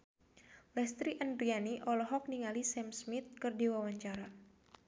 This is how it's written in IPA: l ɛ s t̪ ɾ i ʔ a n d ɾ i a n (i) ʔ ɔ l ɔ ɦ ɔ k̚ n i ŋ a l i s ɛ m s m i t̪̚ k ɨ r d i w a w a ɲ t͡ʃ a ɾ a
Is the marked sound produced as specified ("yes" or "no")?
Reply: yes